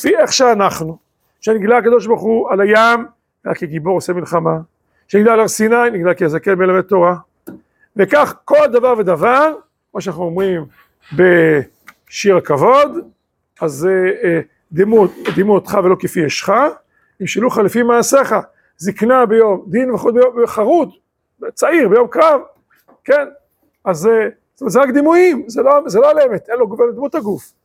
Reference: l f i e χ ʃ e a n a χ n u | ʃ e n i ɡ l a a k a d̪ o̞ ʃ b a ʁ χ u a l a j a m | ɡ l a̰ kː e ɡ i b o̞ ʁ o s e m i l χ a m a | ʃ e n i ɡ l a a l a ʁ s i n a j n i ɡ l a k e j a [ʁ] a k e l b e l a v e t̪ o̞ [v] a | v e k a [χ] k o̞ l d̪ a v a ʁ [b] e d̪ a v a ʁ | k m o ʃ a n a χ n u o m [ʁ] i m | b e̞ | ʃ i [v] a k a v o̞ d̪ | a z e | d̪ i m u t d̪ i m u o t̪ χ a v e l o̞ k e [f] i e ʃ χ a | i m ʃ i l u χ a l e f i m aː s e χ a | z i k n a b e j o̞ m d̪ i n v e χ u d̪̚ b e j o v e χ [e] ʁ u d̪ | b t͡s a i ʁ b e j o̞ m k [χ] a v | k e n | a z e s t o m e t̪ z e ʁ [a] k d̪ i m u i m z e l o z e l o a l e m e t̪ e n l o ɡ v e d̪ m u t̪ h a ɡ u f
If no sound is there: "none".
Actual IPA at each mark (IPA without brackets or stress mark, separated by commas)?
z, ʁ, χ, v, ʁ, ʁ, f, a, ʁ, a